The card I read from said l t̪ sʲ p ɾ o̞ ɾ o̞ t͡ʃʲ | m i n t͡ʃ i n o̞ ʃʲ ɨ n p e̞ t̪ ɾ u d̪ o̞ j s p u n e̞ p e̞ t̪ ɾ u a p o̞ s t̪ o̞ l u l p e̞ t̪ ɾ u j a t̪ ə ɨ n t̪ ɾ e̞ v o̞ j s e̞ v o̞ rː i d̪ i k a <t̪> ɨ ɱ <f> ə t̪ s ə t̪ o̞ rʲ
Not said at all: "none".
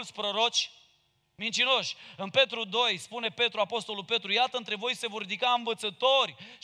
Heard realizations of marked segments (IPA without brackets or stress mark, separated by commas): none, v